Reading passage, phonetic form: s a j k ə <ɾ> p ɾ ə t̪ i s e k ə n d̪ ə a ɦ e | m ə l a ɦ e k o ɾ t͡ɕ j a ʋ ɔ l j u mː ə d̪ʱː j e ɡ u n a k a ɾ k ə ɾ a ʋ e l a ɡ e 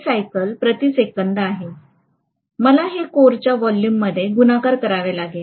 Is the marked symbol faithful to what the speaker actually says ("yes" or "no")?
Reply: no